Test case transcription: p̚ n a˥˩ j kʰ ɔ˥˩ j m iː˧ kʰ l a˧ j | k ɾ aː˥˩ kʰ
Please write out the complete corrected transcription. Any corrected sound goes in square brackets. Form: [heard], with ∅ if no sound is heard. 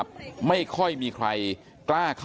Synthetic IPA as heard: p̚ [m] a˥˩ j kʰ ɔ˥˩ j m iː˧ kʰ [ɾ] a˧ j | k [l] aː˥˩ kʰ